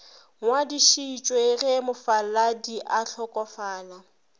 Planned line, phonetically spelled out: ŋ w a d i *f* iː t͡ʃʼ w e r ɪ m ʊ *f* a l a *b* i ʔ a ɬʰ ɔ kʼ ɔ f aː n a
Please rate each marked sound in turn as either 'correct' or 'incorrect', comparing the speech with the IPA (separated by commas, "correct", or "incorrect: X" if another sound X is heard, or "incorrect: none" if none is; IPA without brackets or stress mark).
incorrect: ʃ, correct, incorrect: d